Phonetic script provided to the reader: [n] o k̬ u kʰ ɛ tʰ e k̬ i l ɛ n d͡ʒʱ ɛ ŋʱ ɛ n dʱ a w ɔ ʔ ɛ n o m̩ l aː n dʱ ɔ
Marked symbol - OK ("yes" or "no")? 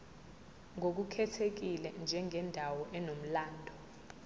no